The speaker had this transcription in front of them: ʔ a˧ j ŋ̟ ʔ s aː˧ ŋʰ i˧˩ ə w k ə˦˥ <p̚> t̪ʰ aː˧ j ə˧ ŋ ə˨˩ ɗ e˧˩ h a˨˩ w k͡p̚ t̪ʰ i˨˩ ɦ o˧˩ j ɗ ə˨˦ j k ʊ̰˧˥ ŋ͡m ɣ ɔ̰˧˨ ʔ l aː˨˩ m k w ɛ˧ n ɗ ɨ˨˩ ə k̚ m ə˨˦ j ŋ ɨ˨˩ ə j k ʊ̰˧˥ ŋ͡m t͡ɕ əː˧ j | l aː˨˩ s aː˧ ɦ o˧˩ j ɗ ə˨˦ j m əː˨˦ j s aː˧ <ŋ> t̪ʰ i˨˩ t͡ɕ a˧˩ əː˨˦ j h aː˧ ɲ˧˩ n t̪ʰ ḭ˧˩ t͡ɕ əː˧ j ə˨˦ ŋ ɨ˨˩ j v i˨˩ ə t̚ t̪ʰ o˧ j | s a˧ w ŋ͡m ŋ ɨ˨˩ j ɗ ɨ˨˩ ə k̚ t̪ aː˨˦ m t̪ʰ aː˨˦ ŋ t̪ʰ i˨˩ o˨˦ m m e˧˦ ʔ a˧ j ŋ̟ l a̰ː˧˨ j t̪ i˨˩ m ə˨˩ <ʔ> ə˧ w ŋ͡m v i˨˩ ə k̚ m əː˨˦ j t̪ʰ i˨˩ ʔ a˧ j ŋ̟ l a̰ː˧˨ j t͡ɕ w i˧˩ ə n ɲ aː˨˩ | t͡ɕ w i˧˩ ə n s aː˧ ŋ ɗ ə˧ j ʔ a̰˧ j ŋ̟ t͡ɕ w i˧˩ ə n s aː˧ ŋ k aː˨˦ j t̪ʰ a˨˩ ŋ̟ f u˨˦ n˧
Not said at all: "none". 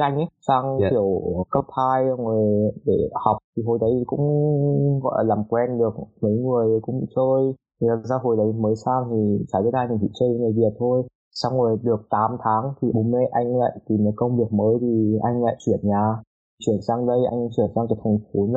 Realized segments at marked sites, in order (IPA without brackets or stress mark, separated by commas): p̚, ŋ, k